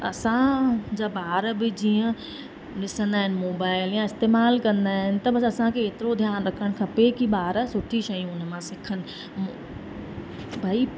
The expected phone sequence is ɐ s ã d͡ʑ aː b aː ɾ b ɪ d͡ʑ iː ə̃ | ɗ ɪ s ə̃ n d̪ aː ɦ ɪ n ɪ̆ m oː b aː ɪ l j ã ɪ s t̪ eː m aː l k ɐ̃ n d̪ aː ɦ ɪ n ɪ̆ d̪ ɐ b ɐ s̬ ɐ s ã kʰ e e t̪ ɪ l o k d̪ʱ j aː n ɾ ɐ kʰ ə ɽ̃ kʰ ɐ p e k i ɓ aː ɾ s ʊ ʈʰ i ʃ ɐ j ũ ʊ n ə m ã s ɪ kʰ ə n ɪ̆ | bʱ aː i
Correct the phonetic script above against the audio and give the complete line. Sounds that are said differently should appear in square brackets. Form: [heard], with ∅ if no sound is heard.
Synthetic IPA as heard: ɐ s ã d͡ʑ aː b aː ɾ b ɪ d͡ʑ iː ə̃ | ɗ ɪ s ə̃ n d̪ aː ɦ ɪ n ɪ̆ m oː b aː ɪ l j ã ɪ s t̪ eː m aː l k ɐ̃ n d̪ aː ɦ ɪ n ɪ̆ [t̪] ɐ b ɐ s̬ ɐ s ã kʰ e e t̪ ɪ [ɾ] o [∅] d̪ʱ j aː n ɾ ɐ kʰ ə ɽ̃ kʰ ɐ p e k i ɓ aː ɾ s ʊ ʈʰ i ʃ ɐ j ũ ʊ n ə m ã s ɪ kʰ ə n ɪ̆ | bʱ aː i